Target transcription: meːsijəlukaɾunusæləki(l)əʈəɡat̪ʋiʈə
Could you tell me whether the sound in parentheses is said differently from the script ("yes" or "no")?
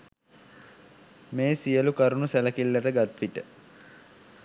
yes